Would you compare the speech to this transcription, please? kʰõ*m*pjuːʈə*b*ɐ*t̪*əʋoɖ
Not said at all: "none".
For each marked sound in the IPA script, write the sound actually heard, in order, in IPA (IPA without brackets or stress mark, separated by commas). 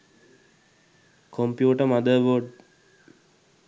m, m, d̪